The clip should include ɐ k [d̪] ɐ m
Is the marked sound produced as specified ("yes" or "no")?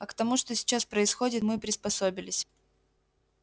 no